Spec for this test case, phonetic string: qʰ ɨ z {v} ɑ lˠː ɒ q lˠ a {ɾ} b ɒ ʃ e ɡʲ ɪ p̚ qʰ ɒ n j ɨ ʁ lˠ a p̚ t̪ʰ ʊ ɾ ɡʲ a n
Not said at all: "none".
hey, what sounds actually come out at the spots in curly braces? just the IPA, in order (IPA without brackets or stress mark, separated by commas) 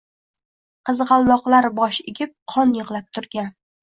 ʁ, ɾ